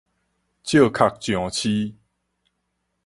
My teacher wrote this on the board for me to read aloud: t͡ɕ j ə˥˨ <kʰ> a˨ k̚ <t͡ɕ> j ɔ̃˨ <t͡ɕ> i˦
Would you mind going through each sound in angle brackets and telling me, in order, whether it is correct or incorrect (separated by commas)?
correct, correct, incorrect